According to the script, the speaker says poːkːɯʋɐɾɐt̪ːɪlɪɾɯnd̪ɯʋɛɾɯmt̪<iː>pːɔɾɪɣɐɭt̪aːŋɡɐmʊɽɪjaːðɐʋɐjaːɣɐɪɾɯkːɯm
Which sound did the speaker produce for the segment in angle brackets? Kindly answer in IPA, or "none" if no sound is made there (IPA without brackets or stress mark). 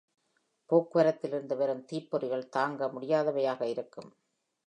iː